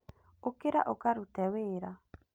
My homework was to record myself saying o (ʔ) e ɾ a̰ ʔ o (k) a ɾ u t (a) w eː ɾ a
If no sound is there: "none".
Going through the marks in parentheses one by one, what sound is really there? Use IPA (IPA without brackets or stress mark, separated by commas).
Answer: k, k, ɛ